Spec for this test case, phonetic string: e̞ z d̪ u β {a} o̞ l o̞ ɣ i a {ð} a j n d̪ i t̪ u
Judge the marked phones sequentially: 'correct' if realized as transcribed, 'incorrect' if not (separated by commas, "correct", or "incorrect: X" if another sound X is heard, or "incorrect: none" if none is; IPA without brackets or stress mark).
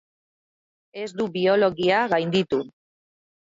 incorrect: i, incorrect: ɣ